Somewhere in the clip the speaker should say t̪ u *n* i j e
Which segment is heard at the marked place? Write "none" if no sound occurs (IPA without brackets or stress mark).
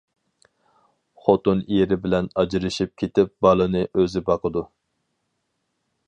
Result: n